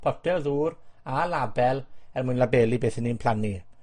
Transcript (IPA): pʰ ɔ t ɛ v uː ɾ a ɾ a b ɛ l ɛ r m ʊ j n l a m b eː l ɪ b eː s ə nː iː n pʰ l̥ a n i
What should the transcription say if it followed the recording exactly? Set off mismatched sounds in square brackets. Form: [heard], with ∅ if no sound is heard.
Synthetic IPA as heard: pʰ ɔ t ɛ [ð] uː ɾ a [l] a b ɛ l ɛ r m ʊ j n l a [∅] b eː l [i] b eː [θ] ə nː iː n pʰ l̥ a n i